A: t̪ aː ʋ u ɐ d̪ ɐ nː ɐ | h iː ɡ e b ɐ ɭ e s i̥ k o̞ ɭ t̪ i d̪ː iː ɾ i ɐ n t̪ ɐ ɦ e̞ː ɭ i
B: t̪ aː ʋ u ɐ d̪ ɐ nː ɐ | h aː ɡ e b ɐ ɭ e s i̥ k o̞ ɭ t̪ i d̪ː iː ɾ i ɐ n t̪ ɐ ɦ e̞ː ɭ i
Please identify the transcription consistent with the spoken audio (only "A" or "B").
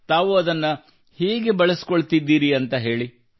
A